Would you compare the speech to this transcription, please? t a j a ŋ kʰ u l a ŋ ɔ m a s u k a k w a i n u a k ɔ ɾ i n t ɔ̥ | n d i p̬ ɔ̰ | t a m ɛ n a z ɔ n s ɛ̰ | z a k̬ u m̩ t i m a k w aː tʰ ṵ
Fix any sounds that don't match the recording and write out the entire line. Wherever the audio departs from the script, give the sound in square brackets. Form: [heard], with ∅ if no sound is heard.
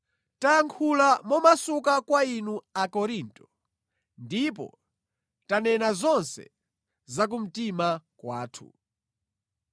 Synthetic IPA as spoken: t a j a ŋ kʰ u l a [m] ɔ m a s u k a k w a i n u a k ɔ ɾ i n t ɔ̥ | n d i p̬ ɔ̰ | t a [n] ɛ n a z ɔ n s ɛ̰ | z a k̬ u m̩ t i m a k w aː tʰ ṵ

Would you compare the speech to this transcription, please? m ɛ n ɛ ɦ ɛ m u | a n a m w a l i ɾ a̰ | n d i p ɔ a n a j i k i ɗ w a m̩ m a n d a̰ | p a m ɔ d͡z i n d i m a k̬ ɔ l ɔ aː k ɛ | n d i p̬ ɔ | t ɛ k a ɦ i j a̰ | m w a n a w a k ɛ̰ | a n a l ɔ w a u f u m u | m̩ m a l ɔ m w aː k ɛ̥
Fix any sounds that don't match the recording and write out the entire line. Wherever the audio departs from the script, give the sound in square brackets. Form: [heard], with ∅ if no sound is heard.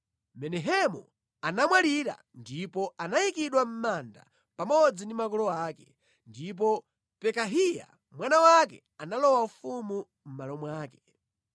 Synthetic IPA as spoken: m ɛ n ɛ ɦ ɛ m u | a n a m w a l i ɾ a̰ | n d i p ɔ a n a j i k i ɗ w a m̩ m a n d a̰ | p a m ɔ d͡z i n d i m a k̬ ɔ l ɔ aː k ɛ | n d i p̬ ɔ | [p] ɛ k a ɦ i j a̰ | m w a n a w a k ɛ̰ | a n a l ɔ w a u f u m u | m̩ m a l ɔ m w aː k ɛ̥

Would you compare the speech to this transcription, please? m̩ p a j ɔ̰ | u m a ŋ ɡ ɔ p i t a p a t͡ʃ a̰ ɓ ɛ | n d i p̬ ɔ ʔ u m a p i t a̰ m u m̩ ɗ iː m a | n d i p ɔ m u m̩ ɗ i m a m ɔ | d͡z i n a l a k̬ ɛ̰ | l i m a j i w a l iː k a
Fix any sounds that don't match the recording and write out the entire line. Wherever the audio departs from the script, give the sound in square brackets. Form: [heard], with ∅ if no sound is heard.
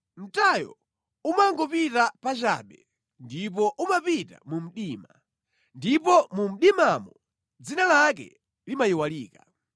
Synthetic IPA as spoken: m̩ [t] a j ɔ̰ | u m a ŋ ɡ ɔ p i t a p a t͡ʃ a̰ ɓ ɛ | n d i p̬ ɔ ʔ u m a p i t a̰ m u m̩ ɗ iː m a | n d i p ɔ m u m̩ ɗ i m a m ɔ | d͡z i n a l a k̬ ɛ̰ | l i m a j i w a l iː k a

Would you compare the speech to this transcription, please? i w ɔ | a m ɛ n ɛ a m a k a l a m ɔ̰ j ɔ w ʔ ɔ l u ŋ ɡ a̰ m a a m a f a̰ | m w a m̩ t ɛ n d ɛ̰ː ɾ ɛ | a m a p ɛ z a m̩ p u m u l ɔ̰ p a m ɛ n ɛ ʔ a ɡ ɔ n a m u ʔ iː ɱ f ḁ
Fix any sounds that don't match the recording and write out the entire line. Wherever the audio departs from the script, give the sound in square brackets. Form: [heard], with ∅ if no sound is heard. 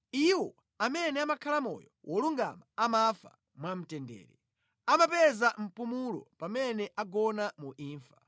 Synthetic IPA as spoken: i w ɔ | a m ɛ n ɛ a m a [kʰ] a l a m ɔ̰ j ɔ w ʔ ɔ l u ŋ ɡ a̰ m a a m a f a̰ | m w a m̩ t ɛ n d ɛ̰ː ɾ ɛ | a m a p ɛ z a m̩ p u m u l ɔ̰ p a m ɛ n ɛ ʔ a ɡ ɔ n a m u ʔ iː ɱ f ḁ

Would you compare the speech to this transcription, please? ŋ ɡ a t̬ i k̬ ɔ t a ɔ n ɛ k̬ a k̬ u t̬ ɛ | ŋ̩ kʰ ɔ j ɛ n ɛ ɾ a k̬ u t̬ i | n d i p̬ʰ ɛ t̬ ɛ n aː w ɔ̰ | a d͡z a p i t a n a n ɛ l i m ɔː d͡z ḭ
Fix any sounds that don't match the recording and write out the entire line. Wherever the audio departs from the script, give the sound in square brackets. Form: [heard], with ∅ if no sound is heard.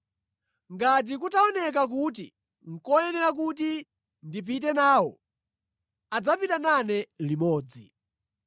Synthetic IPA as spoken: ŋ ɡ a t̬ i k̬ [u] t a ɔ n ɛ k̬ a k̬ u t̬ [i] | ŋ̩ [k] ɔ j ɛ n ɛ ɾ a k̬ u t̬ i | n d i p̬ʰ [i] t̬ ɛ n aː w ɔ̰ | a d͡z a p i t a n a n ɛ l i m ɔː d͡z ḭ

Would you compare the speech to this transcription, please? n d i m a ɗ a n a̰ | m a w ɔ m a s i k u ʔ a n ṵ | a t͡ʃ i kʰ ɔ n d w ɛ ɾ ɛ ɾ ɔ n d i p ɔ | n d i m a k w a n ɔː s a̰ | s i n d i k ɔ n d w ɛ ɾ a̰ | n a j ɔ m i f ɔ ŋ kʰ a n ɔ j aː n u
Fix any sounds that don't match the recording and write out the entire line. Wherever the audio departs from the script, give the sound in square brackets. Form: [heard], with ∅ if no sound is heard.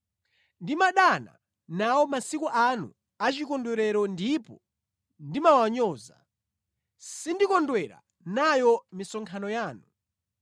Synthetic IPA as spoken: n d i m a ɗ a n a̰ | [n] a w ɔ m a s i k u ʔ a n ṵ | a t͡ʃ i [k] ɔ n d w ɛ ɾ ɛ ɾ ɔ n d i p ɔ | n d i m a [∅] w a [ɲ] ɔː [z] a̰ | s i n d i k ɔ n d w ɛ ɾ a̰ | n a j ɔ m i [s] ɔ ŋ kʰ a n ɔ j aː n u

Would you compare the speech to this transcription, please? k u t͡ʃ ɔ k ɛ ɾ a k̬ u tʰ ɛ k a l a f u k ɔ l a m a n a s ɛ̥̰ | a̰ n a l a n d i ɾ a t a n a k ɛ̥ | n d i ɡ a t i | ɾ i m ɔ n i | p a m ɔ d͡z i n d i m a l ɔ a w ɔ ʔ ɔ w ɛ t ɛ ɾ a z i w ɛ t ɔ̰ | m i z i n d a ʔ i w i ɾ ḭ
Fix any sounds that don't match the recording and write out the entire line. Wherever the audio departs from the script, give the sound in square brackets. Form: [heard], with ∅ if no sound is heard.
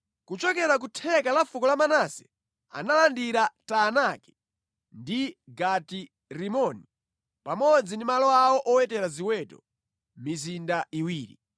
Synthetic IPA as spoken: k u t͡ʃ ɔ k ɛ ɾ a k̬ u tʰ ɛ k a l a f u k ɔ l a m a n a s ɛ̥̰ | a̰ n a l a n d i ɾ a t a n a k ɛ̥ | n d i ɡ a t i | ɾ i m ɔ n i | p a m ɔ d͡z i n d i m a l ɔ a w ɔ ʔ ɔ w ɛ t ɛ ɾ a z i w ɛ t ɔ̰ | m i z i n d a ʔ i w [iː] ɾ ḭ

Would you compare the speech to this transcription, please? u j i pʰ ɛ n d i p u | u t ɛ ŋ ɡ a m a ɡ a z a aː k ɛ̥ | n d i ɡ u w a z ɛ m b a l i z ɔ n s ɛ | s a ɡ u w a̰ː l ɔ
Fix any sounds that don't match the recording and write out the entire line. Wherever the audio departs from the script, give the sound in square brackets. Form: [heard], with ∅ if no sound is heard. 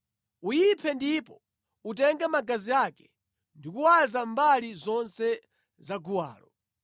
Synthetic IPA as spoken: u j i pʰ ɛ n d i p [ɔ] | u t ɛ ŋ ɡ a m a ɡ a z [i] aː k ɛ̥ | n d i [k] u w a z [a] m b a l i z ɔ n s ɛ | [z] a ɡ u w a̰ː l ɔ

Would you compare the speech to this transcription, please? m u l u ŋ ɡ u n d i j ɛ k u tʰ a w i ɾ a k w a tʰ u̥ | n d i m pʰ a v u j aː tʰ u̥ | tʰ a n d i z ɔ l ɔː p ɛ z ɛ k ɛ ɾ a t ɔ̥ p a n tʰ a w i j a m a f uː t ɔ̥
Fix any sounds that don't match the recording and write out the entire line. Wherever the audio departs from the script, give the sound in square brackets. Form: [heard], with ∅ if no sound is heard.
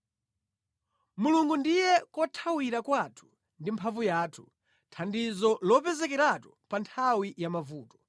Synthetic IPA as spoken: m u l u ŋ ɡ u n d i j ɛ k [ɔ] tʰ a w i ɾ a k w a tʰ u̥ | n d i m pʰ a v u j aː tʰ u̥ | tʰ a n d i z ɔ l [ɔ] p ɛ z ɛ k ɛ ɾ a t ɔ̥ p a n tʰ a w i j a m a [v] uː t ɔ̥

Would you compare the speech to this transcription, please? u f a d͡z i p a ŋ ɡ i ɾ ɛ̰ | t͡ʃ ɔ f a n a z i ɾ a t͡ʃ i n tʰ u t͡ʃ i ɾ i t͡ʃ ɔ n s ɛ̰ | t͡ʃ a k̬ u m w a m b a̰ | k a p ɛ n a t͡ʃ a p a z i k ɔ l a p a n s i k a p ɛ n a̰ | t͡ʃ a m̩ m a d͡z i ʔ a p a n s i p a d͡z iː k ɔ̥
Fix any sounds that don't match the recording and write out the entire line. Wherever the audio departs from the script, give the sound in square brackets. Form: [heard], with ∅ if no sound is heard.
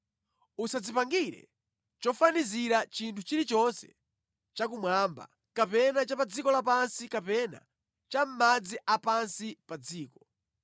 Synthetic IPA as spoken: u [s] a d͡z i p a ŋ ɡ i ɾ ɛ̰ | t͡ʃ ɔ f a n [i] z i ɾ a t͡ʃ i n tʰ u t͡ʃ i ɾ i t͡ʃ ɔ n s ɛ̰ | t͡ʃ a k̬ u m w a m b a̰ | k a p ɛ n a t͡ʃ a p a [d͡z] i k ɔ l a p a n s i k a p ɛ n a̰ | t͡ʃ a m̩ m a d͡z i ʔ a p a n s i p a d͡z iː k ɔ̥

